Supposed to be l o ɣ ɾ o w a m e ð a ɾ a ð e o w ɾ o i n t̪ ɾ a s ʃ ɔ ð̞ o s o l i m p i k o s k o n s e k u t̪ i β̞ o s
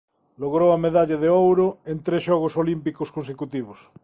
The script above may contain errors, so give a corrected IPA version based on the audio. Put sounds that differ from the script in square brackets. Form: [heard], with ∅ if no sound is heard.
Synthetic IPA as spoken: l o ɣ ɾ o w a m e ð a [ʎ] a ð e o w ɾ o [e] n t̪ ɾ [e] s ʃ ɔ [ɣ̞] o s o l i m p i k o s k o n s e k u t̪ i β̞ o s